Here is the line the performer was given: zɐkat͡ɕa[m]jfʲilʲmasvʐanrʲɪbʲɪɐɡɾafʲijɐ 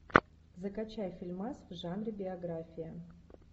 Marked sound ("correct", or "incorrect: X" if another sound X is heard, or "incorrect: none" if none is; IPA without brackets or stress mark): incorrect: none